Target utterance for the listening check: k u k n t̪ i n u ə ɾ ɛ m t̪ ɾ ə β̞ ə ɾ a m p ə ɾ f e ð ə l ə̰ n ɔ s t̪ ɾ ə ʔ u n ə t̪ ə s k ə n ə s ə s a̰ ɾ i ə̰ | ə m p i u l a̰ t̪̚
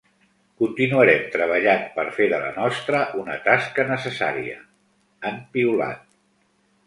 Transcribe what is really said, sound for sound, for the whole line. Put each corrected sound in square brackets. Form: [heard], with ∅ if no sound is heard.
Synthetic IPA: k u [∅] n t̪ i n u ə ɾ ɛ m t̪ ɾ ə β̞ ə [ʎ] a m p ə ɾ f e ð ə l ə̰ n ɔ s t̪ ɾ ə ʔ u n ə t̪ [a] s k ə n ə s ə s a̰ ɾ i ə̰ | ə m p i u l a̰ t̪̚